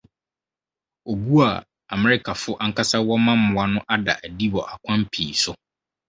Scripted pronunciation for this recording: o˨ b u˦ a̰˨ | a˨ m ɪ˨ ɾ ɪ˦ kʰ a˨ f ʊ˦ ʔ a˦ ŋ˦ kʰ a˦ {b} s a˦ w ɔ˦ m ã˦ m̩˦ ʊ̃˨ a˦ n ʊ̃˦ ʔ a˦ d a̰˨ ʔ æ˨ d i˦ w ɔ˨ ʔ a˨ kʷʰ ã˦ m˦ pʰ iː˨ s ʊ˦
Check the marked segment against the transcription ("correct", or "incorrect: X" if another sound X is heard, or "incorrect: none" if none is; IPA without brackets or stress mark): incorrect: none